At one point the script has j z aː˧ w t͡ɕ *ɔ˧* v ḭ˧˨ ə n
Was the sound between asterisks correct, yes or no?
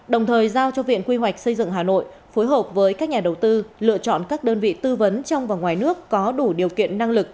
yes